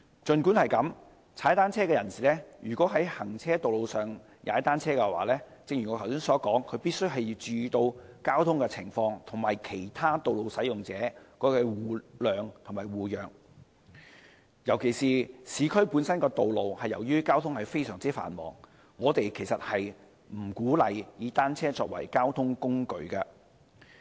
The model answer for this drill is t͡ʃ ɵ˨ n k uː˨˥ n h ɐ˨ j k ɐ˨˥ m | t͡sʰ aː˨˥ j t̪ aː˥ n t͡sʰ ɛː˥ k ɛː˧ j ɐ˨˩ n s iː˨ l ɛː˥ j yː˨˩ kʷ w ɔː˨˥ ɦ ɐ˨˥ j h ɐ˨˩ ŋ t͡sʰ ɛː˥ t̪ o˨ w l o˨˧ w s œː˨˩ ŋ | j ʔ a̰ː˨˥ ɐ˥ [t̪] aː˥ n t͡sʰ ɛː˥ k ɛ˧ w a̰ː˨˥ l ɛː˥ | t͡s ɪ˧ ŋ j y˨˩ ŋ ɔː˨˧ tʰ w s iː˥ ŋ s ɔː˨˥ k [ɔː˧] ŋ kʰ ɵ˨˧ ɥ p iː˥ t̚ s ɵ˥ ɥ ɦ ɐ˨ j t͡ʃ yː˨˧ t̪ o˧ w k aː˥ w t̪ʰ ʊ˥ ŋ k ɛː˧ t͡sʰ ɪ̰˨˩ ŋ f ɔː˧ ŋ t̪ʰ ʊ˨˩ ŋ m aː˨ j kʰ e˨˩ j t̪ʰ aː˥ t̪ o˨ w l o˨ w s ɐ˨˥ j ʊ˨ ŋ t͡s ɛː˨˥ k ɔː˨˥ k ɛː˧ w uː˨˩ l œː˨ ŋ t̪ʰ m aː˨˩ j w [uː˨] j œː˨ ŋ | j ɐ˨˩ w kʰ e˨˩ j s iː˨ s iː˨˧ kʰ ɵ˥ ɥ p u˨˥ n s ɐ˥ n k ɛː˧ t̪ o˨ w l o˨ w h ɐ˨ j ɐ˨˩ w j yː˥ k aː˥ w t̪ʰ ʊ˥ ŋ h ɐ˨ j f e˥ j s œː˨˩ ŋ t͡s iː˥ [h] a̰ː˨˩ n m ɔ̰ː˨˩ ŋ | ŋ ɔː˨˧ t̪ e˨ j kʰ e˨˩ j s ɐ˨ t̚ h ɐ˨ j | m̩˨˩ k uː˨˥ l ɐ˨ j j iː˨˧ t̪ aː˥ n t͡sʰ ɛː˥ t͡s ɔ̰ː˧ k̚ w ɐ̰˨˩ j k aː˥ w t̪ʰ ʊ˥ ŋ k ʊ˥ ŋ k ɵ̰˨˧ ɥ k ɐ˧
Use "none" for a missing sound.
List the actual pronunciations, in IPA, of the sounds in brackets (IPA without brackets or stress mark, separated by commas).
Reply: t̪, ɔː˨˥, uː˨, f